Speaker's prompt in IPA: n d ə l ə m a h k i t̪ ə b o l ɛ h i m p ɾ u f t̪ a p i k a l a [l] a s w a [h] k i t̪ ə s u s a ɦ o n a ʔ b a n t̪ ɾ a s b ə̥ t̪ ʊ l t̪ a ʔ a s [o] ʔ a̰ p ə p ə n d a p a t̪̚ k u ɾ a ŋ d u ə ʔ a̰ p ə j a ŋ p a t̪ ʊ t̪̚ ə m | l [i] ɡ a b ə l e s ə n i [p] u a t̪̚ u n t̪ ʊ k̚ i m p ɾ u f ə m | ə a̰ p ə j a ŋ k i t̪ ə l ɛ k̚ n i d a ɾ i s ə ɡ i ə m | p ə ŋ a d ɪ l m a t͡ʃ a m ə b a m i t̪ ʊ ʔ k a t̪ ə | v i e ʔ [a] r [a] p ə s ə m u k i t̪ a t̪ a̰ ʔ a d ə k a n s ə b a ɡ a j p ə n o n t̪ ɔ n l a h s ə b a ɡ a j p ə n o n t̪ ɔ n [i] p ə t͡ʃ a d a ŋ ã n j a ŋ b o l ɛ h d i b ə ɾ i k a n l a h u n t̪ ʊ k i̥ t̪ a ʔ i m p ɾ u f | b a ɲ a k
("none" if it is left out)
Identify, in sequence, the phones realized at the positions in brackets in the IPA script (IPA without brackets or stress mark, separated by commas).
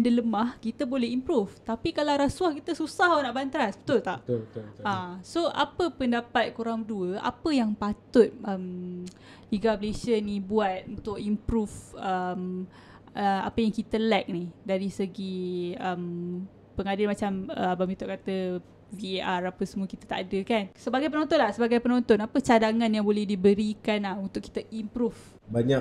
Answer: ɾ, h, o, i, b, a, a, a